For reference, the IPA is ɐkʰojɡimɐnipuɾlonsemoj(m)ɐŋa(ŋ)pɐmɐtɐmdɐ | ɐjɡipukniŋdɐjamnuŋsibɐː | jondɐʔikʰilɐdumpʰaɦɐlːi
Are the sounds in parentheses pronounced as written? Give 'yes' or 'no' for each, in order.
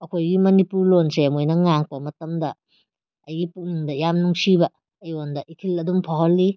no, yes

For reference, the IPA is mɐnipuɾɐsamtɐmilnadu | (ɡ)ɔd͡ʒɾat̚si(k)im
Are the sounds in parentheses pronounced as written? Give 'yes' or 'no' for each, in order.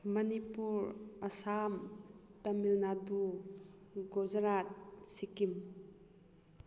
yes, yes

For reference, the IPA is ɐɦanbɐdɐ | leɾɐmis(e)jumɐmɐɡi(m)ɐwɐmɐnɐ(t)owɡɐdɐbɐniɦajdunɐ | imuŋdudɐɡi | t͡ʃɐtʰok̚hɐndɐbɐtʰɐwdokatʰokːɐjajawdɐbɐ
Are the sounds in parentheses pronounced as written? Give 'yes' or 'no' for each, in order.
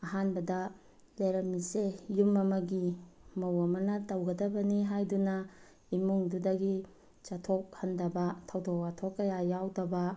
yes, yes, yes

